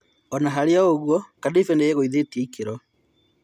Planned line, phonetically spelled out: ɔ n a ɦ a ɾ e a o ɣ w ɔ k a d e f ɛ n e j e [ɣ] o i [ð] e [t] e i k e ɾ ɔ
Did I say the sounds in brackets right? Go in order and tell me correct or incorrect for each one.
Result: correct, correct, correct

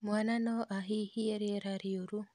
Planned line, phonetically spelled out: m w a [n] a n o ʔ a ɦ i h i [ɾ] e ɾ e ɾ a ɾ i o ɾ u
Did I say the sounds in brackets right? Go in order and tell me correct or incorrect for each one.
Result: correct, incorrect: none

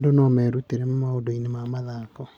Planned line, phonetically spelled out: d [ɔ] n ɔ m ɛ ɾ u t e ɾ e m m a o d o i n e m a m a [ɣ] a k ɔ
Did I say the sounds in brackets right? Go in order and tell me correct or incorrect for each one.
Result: incorrect: o, incorrect: ð

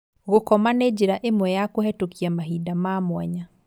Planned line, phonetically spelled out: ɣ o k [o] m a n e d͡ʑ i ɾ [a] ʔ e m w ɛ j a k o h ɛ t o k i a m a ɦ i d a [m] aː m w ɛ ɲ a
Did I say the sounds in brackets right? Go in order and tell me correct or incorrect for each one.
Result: incorrect: ɔ, correct, correct

